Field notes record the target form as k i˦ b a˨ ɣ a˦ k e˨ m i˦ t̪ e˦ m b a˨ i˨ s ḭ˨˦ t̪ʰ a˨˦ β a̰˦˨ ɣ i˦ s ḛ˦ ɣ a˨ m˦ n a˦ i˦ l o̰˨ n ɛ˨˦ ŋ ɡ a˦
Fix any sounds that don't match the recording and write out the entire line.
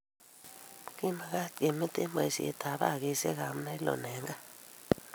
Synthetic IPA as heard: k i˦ m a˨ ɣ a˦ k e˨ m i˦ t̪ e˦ m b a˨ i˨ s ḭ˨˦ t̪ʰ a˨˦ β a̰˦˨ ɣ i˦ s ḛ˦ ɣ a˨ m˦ n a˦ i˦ l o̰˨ n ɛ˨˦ ŋ ɡ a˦